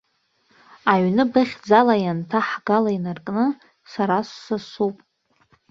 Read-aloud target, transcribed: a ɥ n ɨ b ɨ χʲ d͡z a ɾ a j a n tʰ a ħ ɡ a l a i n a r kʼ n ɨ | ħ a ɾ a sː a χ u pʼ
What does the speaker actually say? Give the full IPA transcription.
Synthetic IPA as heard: a ɥ n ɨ b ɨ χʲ d͡z a l a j a n tʰ a ħ ɡ a l a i n a r kʼ n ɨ | s a ɾ a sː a s u pʼ